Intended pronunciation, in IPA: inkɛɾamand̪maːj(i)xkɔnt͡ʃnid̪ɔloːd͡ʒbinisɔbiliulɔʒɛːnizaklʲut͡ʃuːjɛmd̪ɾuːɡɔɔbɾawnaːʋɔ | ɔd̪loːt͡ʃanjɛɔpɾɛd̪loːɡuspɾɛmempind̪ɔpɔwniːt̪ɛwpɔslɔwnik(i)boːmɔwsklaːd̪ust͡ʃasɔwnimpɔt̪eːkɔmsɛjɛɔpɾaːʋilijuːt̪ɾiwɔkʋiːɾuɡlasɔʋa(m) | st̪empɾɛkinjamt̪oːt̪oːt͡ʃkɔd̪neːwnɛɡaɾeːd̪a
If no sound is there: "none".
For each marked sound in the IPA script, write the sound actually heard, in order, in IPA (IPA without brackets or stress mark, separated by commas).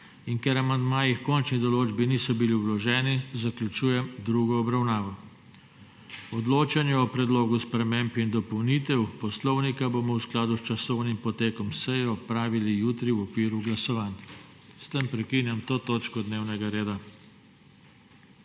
i, a, n